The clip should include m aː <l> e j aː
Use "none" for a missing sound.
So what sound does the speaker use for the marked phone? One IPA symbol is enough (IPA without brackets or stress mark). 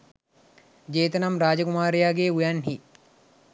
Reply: ɾ